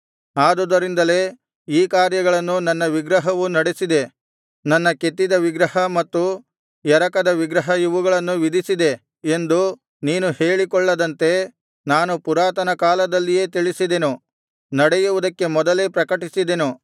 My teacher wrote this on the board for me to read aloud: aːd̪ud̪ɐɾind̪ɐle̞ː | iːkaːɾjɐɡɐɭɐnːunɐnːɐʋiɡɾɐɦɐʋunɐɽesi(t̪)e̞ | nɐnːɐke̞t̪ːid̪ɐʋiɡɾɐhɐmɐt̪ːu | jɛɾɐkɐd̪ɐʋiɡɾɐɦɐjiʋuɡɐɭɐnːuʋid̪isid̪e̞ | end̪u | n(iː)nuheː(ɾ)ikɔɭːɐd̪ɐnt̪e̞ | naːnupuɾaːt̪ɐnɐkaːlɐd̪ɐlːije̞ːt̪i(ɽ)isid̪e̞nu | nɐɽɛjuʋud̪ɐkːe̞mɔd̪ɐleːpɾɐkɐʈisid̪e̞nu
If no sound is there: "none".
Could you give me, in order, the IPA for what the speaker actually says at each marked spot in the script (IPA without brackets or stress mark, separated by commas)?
d̪, iː, ɭ, ɭ